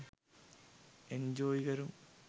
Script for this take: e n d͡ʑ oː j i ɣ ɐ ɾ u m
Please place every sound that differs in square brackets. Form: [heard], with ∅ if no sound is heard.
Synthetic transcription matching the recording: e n d͡ʑ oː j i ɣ ɐ ɾ u m

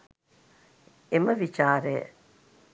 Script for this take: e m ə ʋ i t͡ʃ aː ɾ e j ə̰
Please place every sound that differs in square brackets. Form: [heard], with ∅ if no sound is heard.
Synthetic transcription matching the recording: e m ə ʋ i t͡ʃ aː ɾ e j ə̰

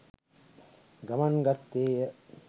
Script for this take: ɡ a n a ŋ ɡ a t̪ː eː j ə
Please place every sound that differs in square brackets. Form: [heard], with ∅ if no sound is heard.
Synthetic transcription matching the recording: ɡ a [m] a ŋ ɡ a t̪ː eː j ə

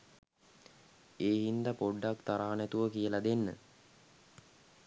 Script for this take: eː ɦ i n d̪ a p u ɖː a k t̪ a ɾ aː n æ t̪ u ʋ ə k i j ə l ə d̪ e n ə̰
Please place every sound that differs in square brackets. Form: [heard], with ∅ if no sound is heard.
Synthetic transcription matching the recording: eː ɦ i n d̪ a p [o] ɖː a k t̪ a ɾ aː n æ t̪ u ʋ ə k i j ə l [a] d̪ e [nː] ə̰

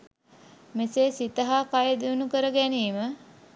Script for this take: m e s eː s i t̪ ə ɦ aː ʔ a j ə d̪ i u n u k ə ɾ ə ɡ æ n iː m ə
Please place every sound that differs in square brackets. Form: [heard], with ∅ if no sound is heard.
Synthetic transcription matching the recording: m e s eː s i t̪ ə ɦ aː [k] a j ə d̪ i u n u k ə ɾ ə ɡ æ n iː m ə

